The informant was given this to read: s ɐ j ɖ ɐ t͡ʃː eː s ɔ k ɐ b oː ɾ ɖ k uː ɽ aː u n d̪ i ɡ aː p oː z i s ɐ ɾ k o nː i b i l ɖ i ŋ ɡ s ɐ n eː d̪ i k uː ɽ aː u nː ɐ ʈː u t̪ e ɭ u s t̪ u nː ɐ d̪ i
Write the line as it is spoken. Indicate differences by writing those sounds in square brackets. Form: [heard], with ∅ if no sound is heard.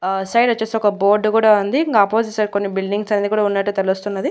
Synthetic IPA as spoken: s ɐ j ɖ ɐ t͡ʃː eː s ɔ k ɐ b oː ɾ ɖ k uː ɽ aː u n d̪ i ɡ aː p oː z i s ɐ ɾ k o nː i b i l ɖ i ŋ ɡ s ɐ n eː d̪ i k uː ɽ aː u nː ɐ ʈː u t̪ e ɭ u s t̪ u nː ɐ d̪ i